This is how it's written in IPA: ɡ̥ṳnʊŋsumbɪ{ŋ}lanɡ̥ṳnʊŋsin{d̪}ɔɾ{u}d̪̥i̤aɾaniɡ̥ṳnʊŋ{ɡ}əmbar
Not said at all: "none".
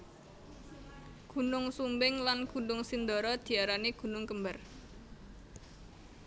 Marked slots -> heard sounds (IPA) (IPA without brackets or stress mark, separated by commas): ŋ, d̪, ɔ, k